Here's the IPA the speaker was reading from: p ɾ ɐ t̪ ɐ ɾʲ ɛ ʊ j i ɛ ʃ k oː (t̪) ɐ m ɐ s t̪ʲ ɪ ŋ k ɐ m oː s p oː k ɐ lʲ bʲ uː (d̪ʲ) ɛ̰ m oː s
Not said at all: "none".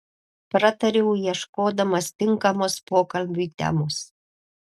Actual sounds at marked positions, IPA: d̪, t̪ʲ

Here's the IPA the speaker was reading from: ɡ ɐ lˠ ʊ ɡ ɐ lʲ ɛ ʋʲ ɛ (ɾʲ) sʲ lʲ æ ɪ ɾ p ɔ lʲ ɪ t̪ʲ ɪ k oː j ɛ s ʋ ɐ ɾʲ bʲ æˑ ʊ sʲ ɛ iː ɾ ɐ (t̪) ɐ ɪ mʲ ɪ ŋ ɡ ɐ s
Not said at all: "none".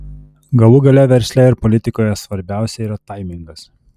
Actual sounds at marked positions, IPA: ɾʲ, t̪

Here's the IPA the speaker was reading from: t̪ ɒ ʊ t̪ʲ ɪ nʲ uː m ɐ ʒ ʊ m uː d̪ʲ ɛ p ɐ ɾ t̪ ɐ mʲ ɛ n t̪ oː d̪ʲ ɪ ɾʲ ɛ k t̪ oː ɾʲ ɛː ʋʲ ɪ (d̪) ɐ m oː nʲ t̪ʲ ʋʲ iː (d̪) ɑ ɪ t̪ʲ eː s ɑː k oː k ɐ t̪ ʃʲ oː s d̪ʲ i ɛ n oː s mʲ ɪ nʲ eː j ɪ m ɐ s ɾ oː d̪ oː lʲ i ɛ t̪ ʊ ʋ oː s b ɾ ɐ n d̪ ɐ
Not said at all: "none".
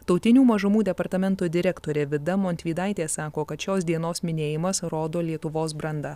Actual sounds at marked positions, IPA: d̪, d̪

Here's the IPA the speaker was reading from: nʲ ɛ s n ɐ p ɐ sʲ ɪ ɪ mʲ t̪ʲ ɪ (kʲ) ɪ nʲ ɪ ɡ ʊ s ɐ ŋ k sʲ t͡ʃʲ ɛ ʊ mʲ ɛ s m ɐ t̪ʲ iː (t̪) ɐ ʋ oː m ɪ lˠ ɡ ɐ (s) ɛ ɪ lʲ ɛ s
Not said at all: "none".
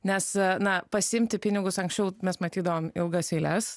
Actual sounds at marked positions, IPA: pʲ, d̪, s

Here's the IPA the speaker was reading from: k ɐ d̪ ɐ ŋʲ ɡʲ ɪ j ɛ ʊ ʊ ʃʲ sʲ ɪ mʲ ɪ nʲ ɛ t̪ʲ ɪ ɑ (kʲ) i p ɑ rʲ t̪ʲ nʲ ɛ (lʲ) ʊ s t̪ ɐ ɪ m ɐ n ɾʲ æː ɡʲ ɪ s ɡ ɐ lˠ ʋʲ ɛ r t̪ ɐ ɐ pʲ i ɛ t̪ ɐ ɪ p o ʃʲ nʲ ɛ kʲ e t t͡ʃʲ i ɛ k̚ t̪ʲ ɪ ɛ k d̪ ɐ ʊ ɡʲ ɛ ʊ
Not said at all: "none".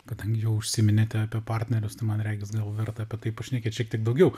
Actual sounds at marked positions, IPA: pʲ, ɾʲ

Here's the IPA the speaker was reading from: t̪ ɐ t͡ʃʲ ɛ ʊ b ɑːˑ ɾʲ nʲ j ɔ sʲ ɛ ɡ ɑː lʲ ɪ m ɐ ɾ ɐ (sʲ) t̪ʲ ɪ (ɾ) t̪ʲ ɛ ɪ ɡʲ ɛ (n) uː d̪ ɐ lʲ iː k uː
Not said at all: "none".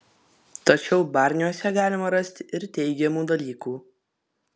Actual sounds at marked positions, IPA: sʲ, ɾ, m

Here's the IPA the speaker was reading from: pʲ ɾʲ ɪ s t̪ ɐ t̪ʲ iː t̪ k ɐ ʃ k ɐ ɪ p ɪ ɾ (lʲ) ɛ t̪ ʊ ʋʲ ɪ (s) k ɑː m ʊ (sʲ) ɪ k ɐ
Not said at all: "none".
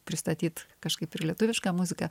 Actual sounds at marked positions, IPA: lʲ, ʃ, zʲ

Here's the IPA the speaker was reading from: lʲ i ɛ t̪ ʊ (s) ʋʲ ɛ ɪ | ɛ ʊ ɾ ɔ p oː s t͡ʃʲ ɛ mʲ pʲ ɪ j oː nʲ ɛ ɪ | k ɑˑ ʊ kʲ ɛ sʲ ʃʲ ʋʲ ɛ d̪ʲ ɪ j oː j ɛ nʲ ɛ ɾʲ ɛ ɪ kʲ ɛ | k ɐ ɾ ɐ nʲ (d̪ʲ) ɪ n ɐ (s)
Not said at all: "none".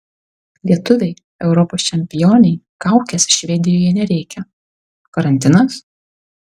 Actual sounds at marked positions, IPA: none, t̪ʲ, s

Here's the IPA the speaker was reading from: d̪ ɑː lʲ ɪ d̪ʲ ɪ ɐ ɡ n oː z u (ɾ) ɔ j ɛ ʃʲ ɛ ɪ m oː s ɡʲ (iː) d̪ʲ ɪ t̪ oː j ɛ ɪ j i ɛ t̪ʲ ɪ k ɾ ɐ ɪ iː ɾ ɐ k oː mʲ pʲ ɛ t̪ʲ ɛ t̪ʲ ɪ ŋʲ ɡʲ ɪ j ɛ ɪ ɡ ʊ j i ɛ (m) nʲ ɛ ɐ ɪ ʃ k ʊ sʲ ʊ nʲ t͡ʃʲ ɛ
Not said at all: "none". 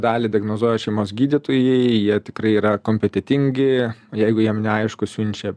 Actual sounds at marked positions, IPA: none, iː, m

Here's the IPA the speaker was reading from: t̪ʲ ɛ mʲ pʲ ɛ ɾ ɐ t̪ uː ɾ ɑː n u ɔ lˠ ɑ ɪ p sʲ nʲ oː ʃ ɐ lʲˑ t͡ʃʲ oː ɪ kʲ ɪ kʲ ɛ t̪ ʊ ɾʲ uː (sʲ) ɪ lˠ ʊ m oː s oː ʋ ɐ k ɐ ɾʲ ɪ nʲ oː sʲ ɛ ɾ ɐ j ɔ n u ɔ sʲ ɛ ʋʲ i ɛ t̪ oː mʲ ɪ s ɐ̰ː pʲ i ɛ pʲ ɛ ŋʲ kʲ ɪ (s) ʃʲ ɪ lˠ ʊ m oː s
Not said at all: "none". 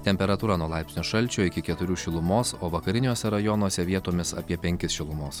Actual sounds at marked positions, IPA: ʃʲ, s

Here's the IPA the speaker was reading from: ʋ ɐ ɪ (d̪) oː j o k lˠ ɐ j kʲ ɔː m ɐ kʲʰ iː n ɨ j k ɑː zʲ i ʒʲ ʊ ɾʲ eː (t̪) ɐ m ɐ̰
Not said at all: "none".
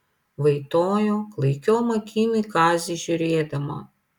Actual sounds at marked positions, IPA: t̪, d̪

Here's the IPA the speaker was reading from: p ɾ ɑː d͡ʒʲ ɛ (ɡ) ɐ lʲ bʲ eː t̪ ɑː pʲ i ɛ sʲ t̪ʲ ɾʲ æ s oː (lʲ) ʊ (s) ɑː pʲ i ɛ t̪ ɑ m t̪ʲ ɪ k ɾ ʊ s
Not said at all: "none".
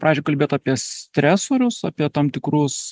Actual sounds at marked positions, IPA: k, ɾʲ, s

